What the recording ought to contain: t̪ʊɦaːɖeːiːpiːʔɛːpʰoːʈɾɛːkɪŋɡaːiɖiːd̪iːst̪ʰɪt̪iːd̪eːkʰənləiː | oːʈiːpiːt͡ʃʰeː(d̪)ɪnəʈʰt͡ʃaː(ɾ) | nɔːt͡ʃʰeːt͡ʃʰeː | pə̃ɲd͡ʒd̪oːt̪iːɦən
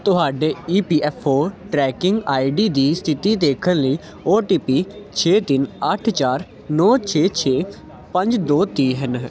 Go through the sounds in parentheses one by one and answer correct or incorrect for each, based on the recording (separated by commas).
incorrect, correct